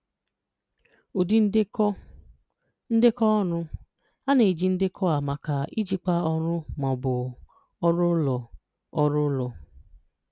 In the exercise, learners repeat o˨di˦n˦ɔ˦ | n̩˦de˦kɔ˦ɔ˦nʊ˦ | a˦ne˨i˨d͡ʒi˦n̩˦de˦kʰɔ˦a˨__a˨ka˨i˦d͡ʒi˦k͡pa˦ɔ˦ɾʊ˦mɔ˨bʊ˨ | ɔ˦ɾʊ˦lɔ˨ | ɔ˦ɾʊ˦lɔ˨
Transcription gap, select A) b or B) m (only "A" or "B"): B